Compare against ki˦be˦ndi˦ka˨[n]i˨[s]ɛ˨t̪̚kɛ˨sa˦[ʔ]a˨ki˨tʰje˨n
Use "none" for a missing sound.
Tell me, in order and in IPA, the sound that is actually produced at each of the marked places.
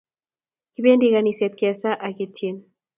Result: n, s, ʔ

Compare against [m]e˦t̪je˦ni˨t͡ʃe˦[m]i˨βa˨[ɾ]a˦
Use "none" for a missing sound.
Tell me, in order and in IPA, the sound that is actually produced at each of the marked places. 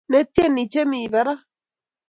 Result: n, m, ɾ

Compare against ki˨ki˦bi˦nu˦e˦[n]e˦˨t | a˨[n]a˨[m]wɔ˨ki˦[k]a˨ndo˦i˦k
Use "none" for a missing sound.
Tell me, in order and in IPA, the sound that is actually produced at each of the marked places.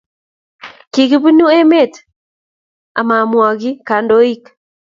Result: m, m, m, k

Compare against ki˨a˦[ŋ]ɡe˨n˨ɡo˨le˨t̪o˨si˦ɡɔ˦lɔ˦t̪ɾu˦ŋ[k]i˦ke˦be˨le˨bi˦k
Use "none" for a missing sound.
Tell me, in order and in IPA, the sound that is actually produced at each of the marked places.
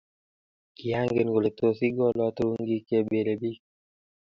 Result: ŋ, ɡ

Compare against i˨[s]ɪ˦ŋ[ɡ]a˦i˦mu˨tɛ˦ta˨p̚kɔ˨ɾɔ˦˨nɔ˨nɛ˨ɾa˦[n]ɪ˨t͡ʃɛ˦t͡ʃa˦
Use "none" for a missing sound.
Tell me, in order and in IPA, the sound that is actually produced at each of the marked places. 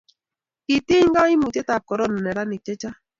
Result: t, ɡ, n

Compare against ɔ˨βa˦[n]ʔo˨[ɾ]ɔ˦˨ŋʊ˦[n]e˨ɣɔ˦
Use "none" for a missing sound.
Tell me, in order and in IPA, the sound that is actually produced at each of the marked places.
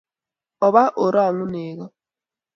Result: none, ɾ, n

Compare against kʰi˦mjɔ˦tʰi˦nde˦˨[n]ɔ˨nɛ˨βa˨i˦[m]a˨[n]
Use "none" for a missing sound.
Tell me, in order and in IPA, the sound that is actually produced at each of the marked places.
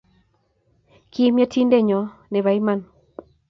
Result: ɲ, m, n

